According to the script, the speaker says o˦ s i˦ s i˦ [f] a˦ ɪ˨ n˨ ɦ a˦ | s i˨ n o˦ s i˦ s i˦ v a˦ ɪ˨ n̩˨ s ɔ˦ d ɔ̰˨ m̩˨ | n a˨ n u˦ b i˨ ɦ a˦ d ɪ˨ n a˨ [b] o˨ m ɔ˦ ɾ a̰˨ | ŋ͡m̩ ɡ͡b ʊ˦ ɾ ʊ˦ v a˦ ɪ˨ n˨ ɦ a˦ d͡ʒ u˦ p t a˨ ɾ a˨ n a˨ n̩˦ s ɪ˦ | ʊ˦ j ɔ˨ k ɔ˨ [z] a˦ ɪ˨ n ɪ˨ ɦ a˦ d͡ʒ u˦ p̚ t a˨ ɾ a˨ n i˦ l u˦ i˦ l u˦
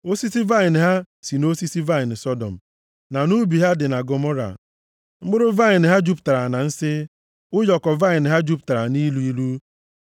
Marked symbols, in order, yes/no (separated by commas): no, no, no